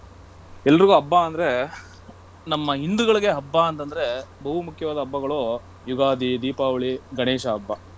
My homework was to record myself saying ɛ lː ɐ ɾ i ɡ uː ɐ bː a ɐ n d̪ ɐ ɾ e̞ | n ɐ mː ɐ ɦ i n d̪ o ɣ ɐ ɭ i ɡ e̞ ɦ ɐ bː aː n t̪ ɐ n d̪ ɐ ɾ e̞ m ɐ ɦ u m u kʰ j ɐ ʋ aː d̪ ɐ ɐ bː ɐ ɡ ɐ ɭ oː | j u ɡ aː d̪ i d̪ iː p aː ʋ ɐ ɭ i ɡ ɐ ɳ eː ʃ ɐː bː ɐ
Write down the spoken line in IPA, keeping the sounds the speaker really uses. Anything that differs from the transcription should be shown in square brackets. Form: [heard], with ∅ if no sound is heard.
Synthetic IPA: ɛ lː ɐ ɾ i ɡ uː ɐ bː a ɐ n d̪ ɐ ɾ e̞ | n ɐ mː ɐ ɦ i n d̪ [u] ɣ ɐ ɭ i ɡ e̞ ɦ ɐ bː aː n t̪ ɐ n d̪ ɐ ɾ e̞ [b] ɐ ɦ u m u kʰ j ɐ ʋ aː d̪ ɐ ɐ bː ɐ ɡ ɐ ɭ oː | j u ɡ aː d̪ i d̪ iː p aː ʋ ɐ ɭ i ɡ ɐ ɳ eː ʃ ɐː bː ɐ